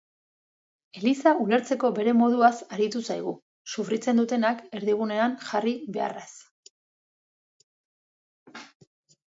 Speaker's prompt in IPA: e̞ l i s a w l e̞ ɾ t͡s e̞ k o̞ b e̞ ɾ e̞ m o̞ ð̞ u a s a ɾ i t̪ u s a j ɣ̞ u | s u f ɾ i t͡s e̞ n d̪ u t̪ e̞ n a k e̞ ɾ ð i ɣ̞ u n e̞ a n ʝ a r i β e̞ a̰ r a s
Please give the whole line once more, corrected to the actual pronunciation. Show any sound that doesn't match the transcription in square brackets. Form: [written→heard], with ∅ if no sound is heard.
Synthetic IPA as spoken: e̞ l i s a [w→u] l e̞ ɾ t͡s e̞ k o̞ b e̞ ɾ e̞ m o̞ ð̞ u a s a ɾ i t̪ u s a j ɣ̞ u | s u f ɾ i t͡s e̞ n d̪ u t̪ e̞ n a k e̞ ɾ ð i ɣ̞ u n e̞ a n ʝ a r i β e̞ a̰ r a s